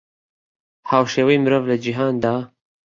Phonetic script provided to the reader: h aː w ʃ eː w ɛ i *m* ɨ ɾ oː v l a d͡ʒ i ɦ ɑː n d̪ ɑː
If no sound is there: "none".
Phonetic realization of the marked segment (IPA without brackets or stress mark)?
m